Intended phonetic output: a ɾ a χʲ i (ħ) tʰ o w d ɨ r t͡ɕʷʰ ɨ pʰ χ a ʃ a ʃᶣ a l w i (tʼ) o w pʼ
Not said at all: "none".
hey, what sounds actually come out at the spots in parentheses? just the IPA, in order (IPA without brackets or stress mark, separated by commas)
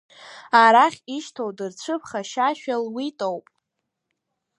ʃ, tʼ